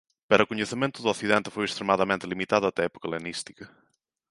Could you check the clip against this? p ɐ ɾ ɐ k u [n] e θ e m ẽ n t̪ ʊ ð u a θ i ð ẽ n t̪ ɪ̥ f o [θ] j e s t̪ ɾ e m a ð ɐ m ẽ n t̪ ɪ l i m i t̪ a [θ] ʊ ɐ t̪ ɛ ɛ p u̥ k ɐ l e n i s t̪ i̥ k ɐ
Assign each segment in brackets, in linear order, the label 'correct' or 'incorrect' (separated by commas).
incorrect, incorrect, incorrect